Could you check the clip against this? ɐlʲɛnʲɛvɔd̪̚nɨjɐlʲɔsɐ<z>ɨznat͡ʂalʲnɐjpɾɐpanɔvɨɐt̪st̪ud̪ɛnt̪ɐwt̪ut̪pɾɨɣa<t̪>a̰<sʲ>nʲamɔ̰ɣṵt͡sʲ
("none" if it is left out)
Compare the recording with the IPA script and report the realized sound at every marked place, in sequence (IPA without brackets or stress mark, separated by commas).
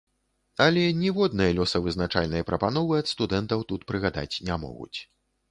v, d̪, t͡sʲ